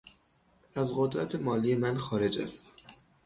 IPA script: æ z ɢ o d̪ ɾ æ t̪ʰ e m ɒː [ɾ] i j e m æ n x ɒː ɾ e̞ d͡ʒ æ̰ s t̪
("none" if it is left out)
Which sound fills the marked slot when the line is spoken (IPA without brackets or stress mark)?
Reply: l